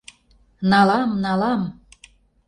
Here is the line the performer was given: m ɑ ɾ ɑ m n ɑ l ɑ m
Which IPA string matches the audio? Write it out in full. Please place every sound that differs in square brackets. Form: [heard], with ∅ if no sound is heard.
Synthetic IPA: [n] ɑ [l] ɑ m n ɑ l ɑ m